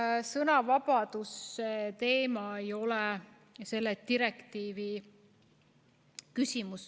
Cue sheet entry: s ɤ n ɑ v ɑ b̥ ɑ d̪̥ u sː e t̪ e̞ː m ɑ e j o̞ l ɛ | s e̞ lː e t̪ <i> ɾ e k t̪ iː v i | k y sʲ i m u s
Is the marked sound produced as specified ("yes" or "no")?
yes